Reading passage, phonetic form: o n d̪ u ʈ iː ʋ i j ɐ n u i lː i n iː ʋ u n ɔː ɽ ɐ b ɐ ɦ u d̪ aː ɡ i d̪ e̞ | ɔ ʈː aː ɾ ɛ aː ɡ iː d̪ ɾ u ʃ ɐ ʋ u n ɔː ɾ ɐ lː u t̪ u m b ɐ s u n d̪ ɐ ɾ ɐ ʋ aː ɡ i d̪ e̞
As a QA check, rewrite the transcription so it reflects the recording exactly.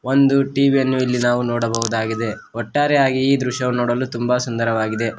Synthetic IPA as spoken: o n d̪ u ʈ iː ʋ i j ɐ nː u i lː i n aː ʋ u n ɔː ɽ ɐ b ɐ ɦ u d̪ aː ɡ i d̪ e̞ | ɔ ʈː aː ɾ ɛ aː ɡ iː d̪ ɾ u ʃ ɐ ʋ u n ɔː ɽ ɐ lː u t̪ u m b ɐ s u n d̪ ɐ ɾ ɐ ʋ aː ɡ i d̪ e̞